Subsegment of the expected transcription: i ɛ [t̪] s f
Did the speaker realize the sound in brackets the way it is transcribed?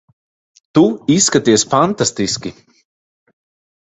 no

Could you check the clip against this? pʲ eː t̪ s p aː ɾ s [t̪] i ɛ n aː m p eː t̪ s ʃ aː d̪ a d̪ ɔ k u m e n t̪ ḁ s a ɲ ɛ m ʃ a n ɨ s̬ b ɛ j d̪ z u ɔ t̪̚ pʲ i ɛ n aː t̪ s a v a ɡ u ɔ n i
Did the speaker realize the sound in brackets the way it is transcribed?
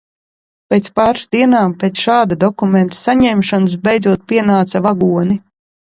no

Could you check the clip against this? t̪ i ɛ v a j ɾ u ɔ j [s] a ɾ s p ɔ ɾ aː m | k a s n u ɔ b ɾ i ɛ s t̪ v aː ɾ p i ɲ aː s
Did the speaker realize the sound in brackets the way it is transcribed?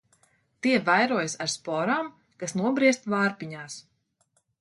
yes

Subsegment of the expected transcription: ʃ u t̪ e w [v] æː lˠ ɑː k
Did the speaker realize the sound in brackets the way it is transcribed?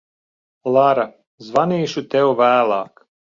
yes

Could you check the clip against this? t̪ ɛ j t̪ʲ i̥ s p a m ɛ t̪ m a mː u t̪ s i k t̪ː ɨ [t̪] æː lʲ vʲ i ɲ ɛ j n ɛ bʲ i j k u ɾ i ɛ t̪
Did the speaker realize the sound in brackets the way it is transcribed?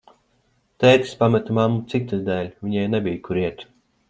no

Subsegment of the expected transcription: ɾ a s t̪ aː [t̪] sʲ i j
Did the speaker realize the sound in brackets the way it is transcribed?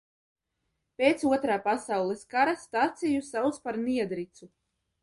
yes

